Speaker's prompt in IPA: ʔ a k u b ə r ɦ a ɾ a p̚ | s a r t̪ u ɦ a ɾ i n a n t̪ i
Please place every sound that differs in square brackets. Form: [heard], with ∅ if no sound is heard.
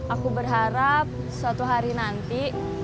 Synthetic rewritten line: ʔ a k u b ə r ɦ a ɾ a p̚ | s a [∅] t̪ u ɦ a ɾ i n a n t̪ i